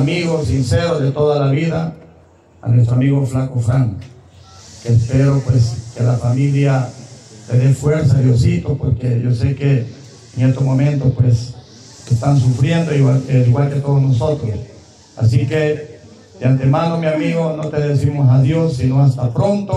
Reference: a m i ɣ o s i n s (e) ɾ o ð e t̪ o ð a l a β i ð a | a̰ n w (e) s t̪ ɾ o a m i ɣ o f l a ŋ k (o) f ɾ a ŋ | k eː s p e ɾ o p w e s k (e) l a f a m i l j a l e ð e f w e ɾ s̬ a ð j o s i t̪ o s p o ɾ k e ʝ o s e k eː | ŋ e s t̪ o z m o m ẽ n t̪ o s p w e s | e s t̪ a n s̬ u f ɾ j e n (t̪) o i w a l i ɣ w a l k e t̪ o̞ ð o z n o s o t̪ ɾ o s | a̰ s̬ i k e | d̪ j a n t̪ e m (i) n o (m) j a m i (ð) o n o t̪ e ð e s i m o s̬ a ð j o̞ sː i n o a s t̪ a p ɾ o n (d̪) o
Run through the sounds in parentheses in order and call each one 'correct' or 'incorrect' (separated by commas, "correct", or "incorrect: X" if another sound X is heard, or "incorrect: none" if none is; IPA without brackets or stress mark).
correct, correct, correct, correct, incorrect: d̪, incorrect: a, correct, incorrect: ɣ, incorrect: t̪